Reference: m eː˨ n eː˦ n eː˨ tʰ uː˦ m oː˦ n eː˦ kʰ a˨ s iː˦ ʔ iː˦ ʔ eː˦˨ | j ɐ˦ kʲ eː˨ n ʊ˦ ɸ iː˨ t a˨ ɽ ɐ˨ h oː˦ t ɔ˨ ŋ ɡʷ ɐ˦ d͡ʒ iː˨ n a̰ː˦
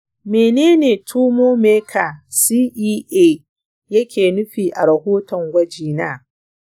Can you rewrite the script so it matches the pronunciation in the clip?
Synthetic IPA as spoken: m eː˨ n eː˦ n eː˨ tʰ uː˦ m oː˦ m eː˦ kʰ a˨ s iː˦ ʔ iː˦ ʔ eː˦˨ | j ɐ˦ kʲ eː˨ n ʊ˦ ɸ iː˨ ʔ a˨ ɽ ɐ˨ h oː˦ t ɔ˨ ŋ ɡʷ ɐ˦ d͡ʒ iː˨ n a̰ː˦